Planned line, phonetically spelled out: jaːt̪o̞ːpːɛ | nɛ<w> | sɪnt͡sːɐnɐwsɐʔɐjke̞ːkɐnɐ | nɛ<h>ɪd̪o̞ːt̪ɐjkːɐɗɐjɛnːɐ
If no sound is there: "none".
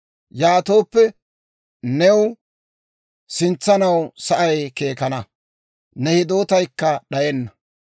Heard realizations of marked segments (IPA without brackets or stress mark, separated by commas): w, h